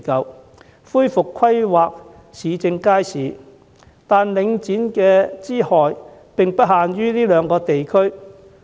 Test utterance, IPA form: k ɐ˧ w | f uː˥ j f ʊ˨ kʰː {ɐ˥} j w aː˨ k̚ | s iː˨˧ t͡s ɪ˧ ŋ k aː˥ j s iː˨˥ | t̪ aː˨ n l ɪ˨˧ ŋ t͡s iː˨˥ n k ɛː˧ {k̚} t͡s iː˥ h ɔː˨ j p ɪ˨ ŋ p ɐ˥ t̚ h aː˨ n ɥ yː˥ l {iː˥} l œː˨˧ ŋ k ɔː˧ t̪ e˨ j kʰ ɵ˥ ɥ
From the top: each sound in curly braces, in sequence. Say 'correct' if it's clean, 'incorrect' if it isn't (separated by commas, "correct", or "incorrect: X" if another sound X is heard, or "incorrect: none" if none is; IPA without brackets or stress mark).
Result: correct, incorrect: none, correct